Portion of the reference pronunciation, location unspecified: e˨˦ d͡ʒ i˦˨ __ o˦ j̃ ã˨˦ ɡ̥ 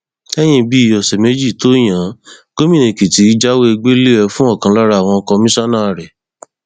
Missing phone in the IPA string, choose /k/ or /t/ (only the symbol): t